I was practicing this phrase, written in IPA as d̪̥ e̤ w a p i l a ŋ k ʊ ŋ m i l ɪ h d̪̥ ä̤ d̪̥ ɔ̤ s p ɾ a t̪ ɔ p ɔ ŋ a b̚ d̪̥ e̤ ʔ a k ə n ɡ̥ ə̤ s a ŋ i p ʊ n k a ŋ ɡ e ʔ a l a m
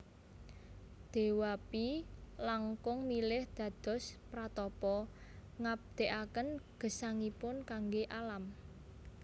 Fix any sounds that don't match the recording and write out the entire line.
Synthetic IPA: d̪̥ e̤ w a p i l a ŋ k ʊ ŋ m i l ɪ h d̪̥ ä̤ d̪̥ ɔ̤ s p ɾ a t̪ ɔ p ɔ ŋ a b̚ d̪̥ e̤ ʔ a k ə n ɡ̥ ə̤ s a ŋ i p ʊ n k a ŋ ɡ e ʔ a l a m